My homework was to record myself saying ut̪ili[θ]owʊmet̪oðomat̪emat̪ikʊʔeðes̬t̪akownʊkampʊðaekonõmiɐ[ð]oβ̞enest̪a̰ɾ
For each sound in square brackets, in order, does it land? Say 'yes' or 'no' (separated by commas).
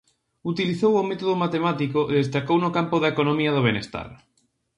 yes, yes